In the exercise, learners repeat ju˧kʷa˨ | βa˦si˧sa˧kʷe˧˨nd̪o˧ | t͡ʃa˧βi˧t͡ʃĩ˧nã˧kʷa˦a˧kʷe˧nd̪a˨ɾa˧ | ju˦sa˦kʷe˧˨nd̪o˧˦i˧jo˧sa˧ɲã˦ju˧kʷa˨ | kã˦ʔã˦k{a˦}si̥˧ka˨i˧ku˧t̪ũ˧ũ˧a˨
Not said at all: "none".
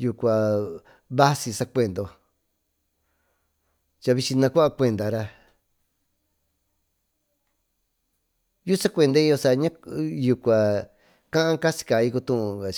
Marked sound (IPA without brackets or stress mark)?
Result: a˦